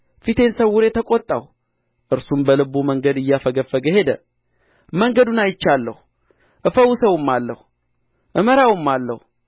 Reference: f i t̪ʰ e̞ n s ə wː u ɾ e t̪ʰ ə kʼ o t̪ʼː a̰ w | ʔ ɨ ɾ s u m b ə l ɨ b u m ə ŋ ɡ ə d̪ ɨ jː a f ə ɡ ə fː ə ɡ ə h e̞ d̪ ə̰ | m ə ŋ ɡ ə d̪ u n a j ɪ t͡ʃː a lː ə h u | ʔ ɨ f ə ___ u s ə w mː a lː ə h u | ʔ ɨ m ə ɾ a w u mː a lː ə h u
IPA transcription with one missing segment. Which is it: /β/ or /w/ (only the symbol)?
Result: w